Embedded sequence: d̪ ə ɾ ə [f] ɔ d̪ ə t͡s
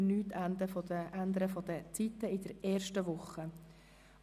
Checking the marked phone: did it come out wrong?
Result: no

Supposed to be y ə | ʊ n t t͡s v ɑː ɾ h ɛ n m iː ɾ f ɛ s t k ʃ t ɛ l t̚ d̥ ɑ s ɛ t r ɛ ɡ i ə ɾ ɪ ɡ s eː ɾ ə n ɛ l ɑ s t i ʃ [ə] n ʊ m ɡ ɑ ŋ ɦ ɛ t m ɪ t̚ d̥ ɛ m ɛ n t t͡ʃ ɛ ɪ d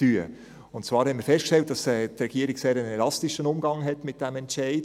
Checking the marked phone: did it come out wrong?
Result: no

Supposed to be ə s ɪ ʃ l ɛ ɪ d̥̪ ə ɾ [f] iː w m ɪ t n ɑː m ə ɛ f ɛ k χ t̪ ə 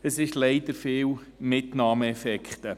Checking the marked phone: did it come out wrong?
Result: no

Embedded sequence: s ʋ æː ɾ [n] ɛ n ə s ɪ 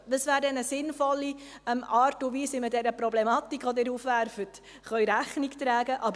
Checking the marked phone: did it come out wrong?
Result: yes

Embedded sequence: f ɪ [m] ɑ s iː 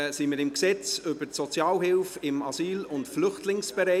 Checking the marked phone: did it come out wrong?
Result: no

